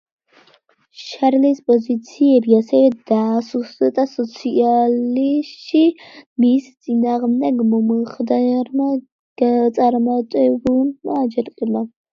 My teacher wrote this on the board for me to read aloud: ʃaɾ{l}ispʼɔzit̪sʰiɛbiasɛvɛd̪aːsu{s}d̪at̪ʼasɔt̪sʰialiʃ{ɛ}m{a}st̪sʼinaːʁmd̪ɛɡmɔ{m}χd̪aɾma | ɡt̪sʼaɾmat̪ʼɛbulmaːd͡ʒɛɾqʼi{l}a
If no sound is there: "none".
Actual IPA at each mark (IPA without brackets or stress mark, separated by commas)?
l, s, i, i, m, l